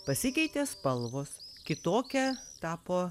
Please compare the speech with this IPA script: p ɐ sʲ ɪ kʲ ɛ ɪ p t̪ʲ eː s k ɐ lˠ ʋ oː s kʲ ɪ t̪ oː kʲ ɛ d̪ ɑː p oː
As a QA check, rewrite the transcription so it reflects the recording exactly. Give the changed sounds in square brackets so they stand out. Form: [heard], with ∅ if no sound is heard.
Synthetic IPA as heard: p ɐ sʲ ɪ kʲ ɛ ɪ [∅] t̪ʲ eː s [p] ɐ lˠ ʋ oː s kʲ ɪ t̪ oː kʲ ɛ [t̪] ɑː p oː

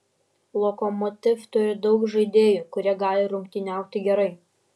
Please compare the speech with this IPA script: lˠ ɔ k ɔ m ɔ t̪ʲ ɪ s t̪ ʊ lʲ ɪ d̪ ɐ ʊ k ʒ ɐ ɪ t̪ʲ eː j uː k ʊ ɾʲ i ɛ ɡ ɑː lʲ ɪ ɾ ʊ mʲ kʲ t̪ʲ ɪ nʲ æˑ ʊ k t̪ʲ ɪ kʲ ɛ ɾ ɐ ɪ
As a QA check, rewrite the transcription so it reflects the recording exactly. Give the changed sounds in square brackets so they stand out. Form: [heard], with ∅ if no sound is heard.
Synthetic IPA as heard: lˠ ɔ k ɔ m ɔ t̪ʲ ɪ [f] t̪ ʊ [ɾʲ] ɪ d̪ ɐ ʊ k ʒ ɐ ɪ [d̪ʲ] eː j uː k ʊ ɾʲ i ɛ ɡ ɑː lʲ ɪ ɾ ʊ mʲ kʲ t̪ʲ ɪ nʲ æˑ ʊ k t̪ʲ ɪ [ɡʲ] ɛ ɾ ɐ ɪ

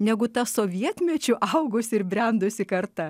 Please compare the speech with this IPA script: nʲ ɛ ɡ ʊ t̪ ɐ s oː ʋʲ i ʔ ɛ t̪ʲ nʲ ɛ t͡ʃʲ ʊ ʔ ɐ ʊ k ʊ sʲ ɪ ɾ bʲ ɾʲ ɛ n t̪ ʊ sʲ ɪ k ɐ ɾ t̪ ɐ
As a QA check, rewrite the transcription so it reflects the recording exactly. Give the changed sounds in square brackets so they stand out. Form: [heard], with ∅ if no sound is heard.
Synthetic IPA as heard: nʲ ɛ ɡ ʊ t̪ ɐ s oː ʋʲ i [∅] ɛ t̪ʲ [mʲ] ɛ t͡ʃʲ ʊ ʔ ɐ ʊ [ɡ] ʊ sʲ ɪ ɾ bʲ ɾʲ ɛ n [d̪] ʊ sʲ ɪ k ɐ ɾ t̪ ɐ

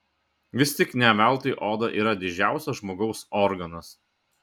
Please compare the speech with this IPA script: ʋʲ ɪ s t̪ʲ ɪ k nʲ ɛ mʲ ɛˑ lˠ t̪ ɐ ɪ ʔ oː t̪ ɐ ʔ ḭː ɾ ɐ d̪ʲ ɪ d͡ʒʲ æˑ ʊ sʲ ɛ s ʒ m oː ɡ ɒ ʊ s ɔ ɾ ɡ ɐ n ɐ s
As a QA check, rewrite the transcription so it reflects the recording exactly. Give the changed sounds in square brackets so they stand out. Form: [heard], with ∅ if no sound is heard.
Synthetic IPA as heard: ʋʲ ɪ s t̪ʲ ɪ k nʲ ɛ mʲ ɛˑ lˠ t̪ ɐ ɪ ʔ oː [d̪] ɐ ʔ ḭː ɾ ɐ d̪ʲ ɪ d͡ʒʲ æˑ ʊ sʲ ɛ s ʒ m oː ɡ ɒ ʊ s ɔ ɾ ɡ ɐ n ɐ s

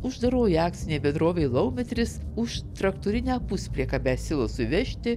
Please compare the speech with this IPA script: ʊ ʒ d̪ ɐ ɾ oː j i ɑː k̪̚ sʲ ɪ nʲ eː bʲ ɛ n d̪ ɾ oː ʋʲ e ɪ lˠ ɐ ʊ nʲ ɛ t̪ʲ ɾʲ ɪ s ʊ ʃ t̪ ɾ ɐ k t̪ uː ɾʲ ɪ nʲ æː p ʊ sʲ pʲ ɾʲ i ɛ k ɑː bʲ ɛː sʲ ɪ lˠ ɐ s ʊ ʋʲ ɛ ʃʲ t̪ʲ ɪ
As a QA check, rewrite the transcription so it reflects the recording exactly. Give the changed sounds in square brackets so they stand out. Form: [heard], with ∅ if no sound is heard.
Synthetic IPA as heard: ʊ ʒ d̪ ɐ ɾ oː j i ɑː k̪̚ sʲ ɪ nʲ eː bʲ ɛ n d̪ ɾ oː ʋʲ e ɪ lˠ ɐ ʊ [mʲ] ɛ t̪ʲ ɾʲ ɪ s ʊ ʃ t̪ ɾ ɐ k t̪ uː ɾʲ ɪ nʲ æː p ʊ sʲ pʲ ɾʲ i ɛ k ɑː bʲ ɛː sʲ ɪ lˠ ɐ s ʊ ʋʲ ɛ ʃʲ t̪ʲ ɪ

